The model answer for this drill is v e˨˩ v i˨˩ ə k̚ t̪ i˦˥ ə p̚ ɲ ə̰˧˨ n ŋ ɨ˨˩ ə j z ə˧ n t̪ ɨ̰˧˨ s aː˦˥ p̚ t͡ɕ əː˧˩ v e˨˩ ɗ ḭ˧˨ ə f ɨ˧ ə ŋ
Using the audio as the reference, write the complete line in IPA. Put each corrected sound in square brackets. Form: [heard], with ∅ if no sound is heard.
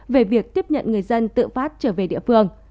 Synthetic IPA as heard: v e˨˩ v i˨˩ ə k̚ t̪ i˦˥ ə p̚ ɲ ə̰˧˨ n ŋ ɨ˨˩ ə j z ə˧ n t̪ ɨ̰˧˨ [f] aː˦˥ [t̚] t͡ɕ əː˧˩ v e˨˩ ɗ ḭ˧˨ ə f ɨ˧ ə ŋ